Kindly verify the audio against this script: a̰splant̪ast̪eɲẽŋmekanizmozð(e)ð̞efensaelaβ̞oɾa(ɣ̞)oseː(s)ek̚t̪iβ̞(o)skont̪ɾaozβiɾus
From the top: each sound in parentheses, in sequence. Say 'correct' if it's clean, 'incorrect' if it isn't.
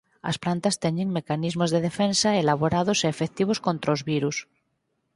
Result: correct, incorrect, incorrect, correct

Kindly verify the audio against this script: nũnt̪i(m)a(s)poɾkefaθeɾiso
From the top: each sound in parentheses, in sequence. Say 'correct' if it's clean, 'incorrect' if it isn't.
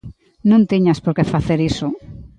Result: incorrect, correct

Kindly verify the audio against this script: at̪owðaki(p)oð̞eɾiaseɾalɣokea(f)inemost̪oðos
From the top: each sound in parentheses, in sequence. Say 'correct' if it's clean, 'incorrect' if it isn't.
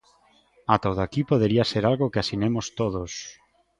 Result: correct, incorrect

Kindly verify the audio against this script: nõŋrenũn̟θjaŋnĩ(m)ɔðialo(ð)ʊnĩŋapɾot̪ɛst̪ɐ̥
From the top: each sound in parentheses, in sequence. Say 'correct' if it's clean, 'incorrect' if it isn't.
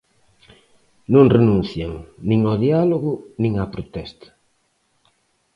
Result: incorrect, incorrect

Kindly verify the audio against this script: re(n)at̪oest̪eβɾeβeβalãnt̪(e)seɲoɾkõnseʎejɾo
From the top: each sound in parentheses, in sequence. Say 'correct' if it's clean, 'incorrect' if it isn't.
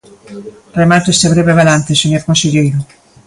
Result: incorrect, correct

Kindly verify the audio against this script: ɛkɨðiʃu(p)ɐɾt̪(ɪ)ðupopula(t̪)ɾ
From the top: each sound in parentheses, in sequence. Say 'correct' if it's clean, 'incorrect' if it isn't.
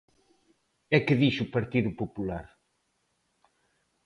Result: correct, incorrect, incorrect

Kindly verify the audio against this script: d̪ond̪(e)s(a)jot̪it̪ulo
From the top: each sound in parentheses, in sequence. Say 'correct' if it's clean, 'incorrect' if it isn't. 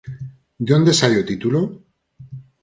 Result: correct, correct

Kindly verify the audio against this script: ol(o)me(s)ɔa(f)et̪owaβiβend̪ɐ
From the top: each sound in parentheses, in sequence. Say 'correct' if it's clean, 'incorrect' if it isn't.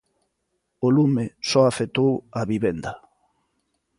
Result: incorrect, correct, correct

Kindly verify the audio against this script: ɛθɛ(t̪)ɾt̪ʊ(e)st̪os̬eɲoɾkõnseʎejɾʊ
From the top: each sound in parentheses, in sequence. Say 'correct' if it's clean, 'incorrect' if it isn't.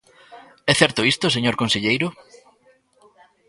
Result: incorrect, incorrect

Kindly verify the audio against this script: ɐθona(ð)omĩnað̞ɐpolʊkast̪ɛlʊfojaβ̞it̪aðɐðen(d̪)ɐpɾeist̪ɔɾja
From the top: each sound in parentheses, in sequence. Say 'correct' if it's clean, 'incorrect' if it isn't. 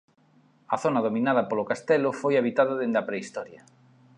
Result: correct, correct

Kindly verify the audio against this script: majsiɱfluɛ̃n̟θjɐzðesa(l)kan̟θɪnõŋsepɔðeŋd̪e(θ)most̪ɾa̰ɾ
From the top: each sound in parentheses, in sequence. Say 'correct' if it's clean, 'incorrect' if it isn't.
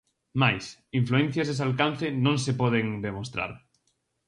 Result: correct, incorrect

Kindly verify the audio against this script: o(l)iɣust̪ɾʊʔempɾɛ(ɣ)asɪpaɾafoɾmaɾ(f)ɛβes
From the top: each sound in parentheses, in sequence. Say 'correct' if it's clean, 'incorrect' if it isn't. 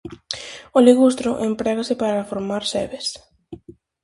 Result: correct, correct, incorrect

